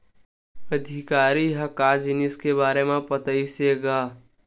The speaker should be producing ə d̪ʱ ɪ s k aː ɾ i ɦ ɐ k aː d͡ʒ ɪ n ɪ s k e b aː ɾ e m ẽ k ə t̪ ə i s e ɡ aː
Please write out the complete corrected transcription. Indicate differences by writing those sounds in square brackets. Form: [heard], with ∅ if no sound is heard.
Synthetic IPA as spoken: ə d̪ʱ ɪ [∅] k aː ɾ i ɦ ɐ k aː d͡ʒ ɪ n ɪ s k e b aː ɾ e m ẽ [p] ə t̪ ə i s e ɡ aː